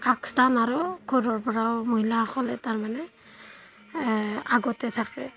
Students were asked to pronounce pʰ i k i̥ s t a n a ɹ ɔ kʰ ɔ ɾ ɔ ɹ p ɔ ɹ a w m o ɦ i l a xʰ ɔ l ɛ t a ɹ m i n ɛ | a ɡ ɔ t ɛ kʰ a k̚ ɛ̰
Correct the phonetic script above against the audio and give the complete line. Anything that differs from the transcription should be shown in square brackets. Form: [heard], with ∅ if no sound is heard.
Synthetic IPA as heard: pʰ [a] k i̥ s t a n a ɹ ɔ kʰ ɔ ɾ ɔ ɹ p ɔ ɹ a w m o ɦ i l a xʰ ɔ l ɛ t a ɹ m [a] n ɛ | a ɡ ɔ t ɛ [tʰ] a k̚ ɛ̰